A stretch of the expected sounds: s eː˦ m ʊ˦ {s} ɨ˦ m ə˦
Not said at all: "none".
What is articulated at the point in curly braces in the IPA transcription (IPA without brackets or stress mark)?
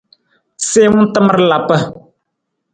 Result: t